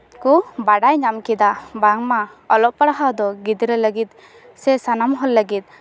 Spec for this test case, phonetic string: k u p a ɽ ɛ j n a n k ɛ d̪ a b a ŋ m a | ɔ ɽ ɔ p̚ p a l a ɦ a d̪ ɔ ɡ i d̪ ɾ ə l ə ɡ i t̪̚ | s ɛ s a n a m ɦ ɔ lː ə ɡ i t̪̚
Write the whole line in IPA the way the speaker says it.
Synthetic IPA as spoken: k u b a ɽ a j ɲ a m k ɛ d̪ a b a ŋ m a | ɔ l ɔ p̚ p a ɽ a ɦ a d̪ ɔ ɡ i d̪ ɾ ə l ə ɡ i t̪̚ | s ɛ s a n a m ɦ ɔ lː ə ɡ i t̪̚

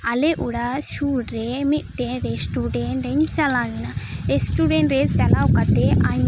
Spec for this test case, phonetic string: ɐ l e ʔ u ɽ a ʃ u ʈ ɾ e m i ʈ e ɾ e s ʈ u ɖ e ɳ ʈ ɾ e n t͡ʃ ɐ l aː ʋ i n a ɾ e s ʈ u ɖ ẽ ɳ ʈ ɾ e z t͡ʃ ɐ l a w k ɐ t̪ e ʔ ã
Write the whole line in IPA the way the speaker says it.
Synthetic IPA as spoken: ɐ l e ʔ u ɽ a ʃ u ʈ ɾ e m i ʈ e ɾ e s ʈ u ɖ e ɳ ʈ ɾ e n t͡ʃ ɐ l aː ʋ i n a ɾ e s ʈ u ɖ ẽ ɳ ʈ ɾ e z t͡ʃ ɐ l a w k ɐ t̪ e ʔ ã

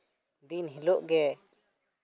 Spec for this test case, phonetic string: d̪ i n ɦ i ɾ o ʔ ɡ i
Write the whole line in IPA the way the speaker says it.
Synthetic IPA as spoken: d̪ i n ɦ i l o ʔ ɡ ɛ

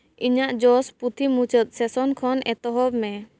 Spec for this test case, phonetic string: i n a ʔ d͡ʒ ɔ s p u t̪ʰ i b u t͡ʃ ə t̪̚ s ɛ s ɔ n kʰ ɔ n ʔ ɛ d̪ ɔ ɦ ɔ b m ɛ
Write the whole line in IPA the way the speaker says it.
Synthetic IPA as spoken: i ɲ a ʔ d͡ʒ ɔ s p u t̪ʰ i m u t͡ʃ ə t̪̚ s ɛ s ɔ n kʰ ɔ n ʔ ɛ t̪ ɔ ɦ ɔ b m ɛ

